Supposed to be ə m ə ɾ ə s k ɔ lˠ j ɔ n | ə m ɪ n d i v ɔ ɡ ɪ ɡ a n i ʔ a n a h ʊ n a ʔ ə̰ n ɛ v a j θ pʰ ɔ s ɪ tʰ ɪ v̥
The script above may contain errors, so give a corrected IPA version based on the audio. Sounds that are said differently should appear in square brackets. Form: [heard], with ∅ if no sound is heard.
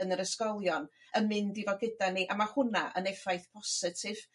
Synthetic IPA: ə [n] ə ɾ ə s k ɔ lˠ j ɔ n | ə m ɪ n d i v ɔ ɡ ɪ [d] a n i ʔ a [m] a h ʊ n a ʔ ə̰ n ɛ [f] a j θ pʰ ɔ s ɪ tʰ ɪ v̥